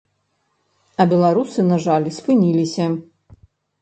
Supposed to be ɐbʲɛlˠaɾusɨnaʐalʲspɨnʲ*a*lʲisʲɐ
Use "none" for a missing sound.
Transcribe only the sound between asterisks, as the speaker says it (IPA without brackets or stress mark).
i